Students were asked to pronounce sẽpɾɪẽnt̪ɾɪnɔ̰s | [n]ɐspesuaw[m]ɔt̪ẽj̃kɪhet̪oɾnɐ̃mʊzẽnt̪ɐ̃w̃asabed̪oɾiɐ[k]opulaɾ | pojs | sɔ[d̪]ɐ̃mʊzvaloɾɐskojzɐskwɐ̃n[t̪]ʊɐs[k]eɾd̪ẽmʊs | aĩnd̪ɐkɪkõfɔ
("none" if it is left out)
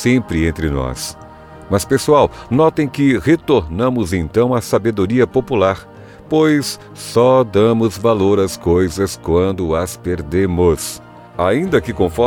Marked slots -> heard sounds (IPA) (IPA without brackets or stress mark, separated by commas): m, n, p, d̪, d̪, p